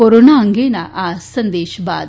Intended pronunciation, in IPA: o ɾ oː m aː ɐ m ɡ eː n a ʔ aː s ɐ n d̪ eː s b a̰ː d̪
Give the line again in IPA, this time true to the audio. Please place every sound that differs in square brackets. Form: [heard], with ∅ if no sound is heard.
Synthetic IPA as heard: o ɾ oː [n] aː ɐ [ŋ] ɡ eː n a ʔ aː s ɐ n d̪ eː [ʃ] b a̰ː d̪